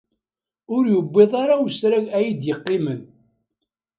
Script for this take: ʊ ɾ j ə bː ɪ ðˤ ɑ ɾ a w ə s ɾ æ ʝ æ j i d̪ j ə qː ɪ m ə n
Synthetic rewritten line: ʊ ɾ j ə bː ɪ ðˤ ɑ ɾ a w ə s ɾ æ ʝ æ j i d̪ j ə qː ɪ m ə n